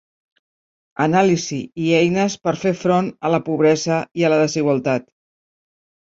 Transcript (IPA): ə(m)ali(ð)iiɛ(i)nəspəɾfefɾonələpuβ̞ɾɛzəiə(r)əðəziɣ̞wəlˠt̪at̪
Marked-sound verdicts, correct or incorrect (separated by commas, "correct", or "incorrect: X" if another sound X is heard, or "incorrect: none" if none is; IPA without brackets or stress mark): incorrect: n, incorrect: z, incorrect: j, incorrect: l